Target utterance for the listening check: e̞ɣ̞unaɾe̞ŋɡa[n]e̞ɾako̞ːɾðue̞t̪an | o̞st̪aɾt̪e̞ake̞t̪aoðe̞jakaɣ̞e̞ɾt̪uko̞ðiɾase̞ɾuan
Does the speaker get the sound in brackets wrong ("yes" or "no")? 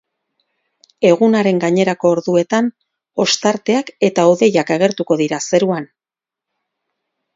yes